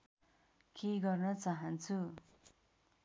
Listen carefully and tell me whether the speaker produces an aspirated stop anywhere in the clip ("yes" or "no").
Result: yes